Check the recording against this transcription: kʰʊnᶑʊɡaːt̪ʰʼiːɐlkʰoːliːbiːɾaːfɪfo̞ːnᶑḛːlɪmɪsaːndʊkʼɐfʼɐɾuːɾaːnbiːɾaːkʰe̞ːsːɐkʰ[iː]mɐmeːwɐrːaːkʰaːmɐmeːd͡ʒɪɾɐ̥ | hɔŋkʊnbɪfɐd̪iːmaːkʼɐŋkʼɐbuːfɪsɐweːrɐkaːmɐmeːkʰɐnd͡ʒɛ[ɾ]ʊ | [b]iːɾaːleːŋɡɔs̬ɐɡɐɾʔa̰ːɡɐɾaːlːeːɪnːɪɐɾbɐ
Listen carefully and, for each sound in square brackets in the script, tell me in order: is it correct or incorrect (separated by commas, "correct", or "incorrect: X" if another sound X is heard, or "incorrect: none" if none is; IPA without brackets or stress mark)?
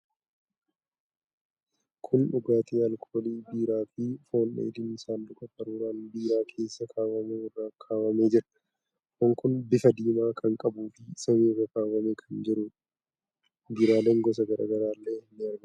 incorrect: aː, correct, correct